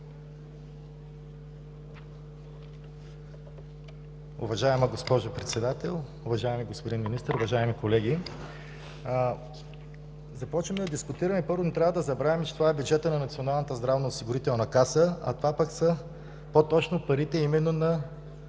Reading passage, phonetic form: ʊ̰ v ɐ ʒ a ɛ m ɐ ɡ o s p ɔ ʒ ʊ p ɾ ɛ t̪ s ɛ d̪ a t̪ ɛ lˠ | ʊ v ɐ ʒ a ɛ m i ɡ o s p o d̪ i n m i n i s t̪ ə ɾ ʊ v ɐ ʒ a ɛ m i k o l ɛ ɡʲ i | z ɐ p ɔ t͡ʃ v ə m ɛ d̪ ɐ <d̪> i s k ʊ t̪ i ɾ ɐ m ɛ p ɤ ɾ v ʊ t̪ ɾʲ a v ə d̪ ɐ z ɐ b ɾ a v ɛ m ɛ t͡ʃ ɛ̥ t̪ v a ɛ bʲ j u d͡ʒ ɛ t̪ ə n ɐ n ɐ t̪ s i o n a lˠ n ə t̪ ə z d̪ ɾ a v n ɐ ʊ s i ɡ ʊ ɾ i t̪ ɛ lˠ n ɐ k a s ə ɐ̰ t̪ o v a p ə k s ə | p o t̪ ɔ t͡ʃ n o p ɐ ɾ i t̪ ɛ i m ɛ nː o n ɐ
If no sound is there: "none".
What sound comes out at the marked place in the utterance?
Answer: d̪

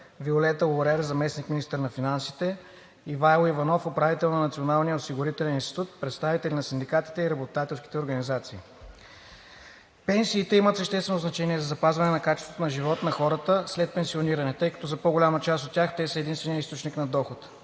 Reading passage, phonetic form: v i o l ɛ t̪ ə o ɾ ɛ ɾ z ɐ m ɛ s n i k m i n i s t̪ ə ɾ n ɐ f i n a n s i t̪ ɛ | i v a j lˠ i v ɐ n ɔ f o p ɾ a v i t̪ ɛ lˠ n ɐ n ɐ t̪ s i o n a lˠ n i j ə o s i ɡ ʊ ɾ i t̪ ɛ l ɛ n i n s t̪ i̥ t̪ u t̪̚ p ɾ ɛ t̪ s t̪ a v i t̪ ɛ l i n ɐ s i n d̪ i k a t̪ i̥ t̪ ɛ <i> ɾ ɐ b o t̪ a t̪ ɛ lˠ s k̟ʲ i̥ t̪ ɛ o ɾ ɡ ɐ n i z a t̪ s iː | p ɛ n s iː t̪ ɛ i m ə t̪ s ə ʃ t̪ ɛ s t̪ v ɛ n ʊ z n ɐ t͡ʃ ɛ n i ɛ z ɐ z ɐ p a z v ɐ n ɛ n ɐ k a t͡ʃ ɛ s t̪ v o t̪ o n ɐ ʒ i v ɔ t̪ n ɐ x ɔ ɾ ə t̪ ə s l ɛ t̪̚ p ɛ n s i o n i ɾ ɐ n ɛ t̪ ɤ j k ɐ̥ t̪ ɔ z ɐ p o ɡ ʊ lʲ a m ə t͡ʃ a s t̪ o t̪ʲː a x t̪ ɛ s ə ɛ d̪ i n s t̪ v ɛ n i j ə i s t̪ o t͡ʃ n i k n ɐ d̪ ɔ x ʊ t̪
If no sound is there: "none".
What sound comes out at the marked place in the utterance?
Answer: i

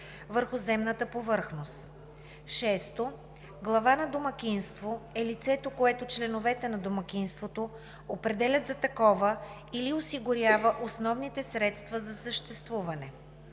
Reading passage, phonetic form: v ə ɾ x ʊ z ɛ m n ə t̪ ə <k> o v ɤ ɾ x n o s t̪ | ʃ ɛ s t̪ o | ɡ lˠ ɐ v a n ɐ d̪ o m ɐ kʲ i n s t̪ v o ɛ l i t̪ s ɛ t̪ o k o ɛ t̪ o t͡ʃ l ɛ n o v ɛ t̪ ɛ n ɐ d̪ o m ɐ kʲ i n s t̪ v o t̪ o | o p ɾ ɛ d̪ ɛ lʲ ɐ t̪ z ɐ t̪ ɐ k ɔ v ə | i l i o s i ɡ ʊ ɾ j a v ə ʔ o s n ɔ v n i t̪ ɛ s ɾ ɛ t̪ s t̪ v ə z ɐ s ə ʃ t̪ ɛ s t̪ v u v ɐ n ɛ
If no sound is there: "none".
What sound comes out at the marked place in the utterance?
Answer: p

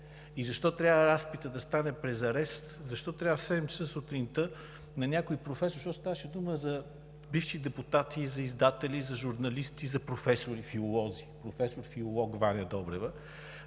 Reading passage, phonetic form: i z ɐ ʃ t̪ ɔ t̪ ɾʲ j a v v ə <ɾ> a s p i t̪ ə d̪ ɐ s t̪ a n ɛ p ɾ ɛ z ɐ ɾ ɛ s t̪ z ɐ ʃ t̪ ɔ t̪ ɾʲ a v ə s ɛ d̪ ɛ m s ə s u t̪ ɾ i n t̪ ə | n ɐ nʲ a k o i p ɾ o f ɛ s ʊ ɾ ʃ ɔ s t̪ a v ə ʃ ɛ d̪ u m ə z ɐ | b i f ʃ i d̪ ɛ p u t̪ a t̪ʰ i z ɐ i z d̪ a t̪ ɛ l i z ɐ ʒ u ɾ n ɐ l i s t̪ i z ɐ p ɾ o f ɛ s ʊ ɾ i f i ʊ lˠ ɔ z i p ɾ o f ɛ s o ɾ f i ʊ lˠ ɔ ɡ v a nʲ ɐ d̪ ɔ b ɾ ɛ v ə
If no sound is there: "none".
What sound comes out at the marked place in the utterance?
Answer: ɾ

